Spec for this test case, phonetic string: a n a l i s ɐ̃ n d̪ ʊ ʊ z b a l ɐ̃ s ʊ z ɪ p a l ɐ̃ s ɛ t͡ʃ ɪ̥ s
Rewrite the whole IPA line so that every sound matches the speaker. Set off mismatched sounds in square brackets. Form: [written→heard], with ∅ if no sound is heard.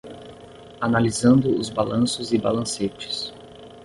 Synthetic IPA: a n a l i [s→z] ɐ̃ n d̪ ʊ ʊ z b a l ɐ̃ s ʊ z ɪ [p→b] a l ɐ̃ s [ɛ→e] t͡ʃ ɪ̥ s